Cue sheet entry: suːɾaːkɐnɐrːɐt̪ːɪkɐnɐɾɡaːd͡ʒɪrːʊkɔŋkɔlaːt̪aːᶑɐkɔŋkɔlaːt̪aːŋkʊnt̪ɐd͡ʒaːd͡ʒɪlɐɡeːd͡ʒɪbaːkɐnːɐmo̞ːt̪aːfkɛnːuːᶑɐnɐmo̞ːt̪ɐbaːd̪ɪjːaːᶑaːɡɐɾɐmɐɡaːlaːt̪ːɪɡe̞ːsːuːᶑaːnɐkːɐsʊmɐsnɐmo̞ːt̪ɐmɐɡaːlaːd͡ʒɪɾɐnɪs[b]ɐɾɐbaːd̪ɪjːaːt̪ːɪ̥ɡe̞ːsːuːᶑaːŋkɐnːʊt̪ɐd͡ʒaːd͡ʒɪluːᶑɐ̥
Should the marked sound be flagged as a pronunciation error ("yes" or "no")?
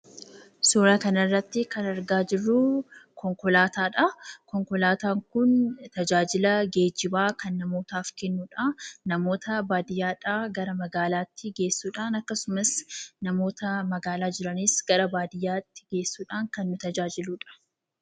yes